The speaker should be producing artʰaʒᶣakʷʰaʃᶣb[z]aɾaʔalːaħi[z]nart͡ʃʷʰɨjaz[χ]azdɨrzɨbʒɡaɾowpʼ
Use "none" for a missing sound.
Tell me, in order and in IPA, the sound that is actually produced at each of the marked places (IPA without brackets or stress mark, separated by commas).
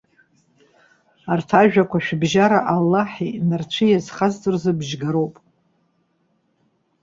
ʒ, none, χ